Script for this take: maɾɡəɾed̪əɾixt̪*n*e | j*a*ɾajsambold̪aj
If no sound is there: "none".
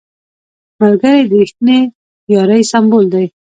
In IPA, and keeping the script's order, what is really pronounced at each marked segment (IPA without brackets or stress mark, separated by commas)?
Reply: n, ɑ